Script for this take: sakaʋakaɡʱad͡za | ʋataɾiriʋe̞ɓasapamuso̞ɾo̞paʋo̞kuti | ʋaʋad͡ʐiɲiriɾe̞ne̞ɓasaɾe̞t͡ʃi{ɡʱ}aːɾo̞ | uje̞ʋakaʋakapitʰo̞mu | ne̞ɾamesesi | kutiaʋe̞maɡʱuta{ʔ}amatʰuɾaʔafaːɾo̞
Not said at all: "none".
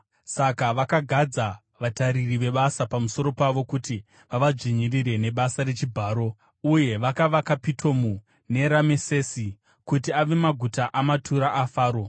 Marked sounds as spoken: bʱ, ʔ

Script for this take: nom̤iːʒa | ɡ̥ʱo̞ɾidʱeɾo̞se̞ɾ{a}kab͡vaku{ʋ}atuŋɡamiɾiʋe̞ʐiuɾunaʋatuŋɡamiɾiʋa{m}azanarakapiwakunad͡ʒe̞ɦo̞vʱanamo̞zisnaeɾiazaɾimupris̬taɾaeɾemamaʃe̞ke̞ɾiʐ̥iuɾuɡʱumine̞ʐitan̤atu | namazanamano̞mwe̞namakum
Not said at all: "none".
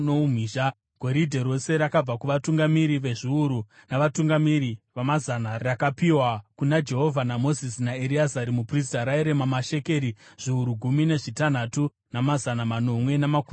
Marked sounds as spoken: a, ʋ, m

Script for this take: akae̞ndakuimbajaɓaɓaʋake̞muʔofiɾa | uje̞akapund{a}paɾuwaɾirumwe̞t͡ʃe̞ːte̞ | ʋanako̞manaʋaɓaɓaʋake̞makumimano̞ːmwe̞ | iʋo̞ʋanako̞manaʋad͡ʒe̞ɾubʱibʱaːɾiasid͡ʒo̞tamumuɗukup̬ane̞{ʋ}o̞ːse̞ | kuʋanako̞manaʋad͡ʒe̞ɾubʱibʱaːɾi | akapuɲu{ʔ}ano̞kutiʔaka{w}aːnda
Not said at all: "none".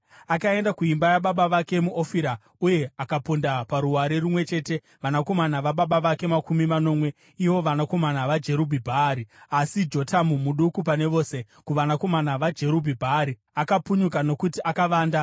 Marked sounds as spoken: a, ʋ, k, ʋ

